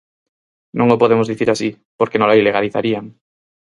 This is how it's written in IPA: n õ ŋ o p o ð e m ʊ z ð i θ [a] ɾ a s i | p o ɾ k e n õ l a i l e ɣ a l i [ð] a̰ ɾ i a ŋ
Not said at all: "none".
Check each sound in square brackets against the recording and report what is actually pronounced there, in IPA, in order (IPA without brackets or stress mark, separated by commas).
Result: i, θ